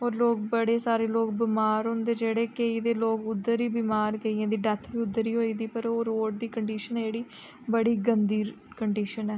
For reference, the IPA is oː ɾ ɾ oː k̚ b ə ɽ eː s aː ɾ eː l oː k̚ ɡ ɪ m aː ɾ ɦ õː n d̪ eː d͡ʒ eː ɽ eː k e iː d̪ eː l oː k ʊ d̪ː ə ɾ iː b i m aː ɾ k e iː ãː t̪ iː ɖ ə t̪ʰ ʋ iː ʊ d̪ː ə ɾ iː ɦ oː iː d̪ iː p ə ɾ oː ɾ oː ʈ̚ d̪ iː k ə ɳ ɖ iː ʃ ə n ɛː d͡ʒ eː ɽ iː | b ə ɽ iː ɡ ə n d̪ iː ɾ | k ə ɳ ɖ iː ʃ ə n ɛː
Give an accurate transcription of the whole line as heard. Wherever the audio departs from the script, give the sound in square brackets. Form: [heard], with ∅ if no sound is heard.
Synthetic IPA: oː ɾ [l] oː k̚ b ə ɽ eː s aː ɾ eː l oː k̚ [b] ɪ m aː ɾ ɦ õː n d̪ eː d͡ʒ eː ɽ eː k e iː d̪ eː l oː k ʊ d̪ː ə ɾ iː b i m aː ɾ k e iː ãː [d̪] iː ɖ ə t̪ʰ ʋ iː ʊ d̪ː ə ɾ iː ɦ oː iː d̪ iː p ə ɾ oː ɾ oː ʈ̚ d̪ iː k ə ɳ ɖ iː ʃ ə n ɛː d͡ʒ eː ɽ iː | b ə ɽ iː ɡ ə n d̪ iː ɾ | k ə ɳ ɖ iː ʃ ə n ɛː